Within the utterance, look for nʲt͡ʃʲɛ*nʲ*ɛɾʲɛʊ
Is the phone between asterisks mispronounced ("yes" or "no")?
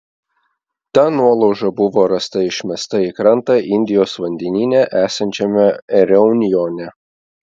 yes